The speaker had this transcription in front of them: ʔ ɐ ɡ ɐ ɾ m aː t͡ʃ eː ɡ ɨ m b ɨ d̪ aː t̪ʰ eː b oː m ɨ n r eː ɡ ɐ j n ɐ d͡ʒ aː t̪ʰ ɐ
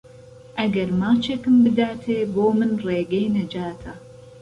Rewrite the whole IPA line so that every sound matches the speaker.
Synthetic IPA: ʔ ɐ ɡ ɐ ɾ m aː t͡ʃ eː k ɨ m b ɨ d̪ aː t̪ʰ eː b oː m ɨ n r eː ɡ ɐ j n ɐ d͡ʒ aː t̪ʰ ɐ